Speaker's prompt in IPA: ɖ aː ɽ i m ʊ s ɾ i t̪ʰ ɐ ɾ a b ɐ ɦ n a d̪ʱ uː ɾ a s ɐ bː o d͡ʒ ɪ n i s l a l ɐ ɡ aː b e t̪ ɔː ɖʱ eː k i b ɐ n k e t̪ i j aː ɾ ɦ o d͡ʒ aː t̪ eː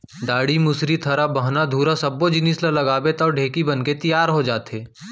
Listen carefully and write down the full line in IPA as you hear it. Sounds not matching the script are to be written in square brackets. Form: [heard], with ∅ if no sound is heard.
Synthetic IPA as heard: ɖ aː ɽ i m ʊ s ɾ i t̪ʰ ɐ ɾ a b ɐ ɦ n a d̪ʱ uː ɾ a s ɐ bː o d͡ʒ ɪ n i s l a l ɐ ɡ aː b e t̪ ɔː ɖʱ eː k i b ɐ n k e t̪ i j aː ɾ ɦ o d͡ʒ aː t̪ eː